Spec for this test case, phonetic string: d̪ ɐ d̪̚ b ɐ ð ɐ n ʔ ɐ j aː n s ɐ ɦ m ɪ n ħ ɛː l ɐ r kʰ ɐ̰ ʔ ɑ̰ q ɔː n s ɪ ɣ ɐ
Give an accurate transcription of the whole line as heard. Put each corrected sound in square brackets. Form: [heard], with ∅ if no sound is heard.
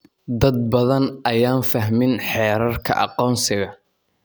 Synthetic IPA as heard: d̪ ɐ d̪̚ b ɐ ð ɐ n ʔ ɐ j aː n [f] ɐ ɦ m ɪ n ħ ɛː [ɾ] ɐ r kʰ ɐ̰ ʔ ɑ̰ q ɔː n s ɪ ɣ ɐ